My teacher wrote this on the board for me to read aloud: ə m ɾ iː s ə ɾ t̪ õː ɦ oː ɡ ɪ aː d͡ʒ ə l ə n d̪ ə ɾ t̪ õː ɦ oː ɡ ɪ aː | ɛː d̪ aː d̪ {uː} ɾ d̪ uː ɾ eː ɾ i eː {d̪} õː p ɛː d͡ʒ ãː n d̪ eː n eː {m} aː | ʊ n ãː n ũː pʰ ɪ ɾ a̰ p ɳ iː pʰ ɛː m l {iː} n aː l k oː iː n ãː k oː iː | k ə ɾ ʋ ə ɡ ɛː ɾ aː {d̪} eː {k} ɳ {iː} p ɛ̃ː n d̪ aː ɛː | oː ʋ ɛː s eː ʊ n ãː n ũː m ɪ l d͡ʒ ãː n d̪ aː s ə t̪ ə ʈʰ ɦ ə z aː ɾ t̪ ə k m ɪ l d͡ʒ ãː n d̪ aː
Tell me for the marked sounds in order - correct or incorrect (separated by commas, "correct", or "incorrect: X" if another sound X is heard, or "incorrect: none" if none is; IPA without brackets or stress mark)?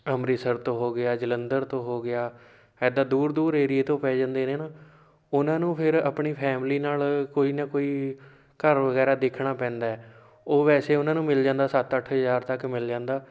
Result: correct, incorrect: t̪, incorrect: n, correct, correct, incorrect: kʰ, incorrect: aː